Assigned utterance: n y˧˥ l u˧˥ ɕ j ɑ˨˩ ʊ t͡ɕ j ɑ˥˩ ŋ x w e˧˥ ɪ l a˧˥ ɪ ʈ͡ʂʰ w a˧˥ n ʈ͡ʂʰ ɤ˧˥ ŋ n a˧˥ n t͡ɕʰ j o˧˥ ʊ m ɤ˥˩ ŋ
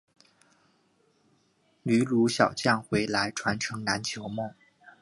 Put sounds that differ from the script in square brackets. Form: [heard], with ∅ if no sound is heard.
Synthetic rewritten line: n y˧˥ l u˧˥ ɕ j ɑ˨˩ ʊ t͡ɕ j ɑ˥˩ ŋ x w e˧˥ ɪ l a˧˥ ɪ ʈ͡ʂʰ w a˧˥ n ʈ͡ʂʰ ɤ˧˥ ŋ n a˧˥ n t͡ɕʰ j o˧˥ ʊ m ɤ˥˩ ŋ